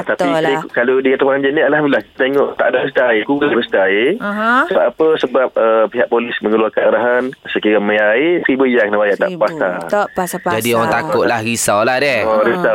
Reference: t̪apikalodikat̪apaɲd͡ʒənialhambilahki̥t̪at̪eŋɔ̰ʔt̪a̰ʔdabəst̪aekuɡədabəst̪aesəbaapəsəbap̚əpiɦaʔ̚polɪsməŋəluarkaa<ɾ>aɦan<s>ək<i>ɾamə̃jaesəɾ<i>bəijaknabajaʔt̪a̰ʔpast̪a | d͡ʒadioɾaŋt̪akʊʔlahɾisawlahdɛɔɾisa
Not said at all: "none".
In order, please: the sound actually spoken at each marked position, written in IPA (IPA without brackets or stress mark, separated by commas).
ɾ, s, i, i